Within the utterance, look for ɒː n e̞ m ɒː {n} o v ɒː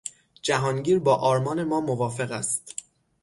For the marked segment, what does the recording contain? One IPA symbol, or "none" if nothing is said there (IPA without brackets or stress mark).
m